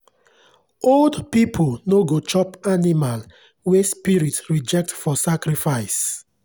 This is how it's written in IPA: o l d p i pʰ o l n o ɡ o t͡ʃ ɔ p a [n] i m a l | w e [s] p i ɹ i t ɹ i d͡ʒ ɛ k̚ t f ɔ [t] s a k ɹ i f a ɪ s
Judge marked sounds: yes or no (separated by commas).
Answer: yes, yes, no